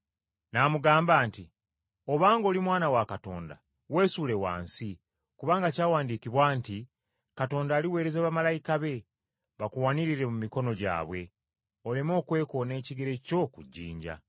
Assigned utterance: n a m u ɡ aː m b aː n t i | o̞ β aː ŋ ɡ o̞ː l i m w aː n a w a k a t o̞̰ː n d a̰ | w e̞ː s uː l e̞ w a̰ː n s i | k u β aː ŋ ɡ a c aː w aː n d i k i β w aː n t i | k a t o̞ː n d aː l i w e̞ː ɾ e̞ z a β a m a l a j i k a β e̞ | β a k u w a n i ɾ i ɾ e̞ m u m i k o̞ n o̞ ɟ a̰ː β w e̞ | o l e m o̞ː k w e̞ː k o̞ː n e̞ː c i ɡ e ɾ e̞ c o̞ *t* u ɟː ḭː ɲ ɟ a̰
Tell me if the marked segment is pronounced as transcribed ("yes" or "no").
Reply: no